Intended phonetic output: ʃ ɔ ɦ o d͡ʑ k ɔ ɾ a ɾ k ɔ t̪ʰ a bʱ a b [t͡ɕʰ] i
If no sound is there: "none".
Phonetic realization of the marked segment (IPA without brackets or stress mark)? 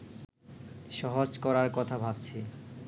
t͡ɕʰ